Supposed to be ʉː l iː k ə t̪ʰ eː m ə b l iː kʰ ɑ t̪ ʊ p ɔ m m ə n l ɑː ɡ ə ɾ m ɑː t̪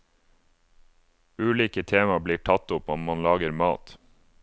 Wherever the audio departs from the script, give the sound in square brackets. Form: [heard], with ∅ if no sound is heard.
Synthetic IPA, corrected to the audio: ʉː l iː k ə t̪ʰ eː m [ɑ] b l iː [ʈʰ] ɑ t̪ ʊ p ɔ m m [ɑ] n l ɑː ɡ ə ɾ m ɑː t̪